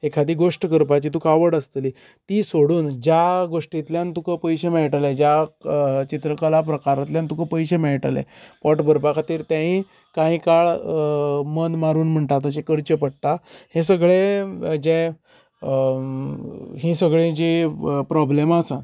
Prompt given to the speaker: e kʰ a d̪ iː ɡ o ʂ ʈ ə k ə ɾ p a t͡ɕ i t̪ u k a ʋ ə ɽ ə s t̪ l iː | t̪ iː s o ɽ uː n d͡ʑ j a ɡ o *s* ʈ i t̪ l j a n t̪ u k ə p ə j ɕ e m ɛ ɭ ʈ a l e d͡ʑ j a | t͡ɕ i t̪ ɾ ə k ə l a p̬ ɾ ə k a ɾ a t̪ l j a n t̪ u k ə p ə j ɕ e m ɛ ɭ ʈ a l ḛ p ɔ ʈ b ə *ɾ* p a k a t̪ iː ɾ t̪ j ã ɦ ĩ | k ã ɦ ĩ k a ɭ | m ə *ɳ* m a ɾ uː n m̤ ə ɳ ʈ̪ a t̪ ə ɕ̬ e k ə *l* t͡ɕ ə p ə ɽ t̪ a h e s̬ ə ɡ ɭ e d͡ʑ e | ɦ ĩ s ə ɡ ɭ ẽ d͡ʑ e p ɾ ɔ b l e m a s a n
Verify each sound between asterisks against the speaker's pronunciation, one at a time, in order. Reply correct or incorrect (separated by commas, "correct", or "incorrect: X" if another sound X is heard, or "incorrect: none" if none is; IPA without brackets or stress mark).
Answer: incorrect: ʂ, correct, incorrect: n, incorrect: ɾ